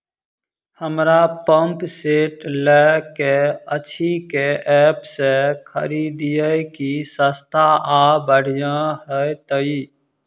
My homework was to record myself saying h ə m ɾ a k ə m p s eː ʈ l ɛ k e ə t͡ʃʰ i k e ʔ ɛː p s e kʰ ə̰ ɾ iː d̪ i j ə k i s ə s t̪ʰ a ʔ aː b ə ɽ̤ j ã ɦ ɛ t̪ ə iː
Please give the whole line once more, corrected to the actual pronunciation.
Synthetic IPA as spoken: h ə m ɾ a p ə m p s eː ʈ l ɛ k e ə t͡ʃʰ i k e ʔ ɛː p s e kʰ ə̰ ɾ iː d̪ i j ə k i s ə s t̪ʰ a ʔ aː b ə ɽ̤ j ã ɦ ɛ t̪ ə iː